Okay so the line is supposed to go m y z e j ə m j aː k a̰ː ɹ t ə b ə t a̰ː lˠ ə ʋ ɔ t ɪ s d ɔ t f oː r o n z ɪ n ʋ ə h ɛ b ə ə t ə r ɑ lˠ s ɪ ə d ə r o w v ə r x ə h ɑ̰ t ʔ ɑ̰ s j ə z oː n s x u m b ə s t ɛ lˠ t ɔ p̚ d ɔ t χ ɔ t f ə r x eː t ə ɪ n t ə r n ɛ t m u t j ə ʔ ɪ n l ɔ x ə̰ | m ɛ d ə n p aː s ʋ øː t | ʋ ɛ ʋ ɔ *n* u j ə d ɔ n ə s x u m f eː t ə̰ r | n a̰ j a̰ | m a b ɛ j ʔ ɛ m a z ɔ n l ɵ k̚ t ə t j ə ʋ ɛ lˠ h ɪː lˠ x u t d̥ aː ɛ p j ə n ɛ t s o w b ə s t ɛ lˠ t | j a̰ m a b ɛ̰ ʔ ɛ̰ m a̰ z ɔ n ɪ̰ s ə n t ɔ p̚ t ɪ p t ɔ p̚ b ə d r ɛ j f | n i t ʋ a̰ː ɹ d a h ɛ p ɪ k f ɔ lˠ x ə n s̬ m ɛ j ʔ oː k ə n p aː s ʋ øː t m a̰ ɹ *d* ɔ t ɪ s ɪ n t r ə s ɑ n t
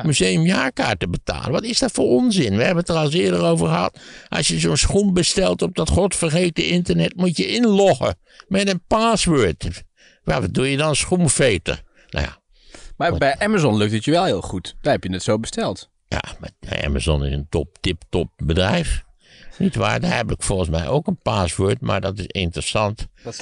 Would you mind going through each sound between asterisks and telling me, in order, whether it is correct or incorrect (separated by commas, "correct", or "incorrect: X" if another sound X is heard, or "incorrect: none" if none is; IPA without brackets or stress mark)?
incorrect: d, correct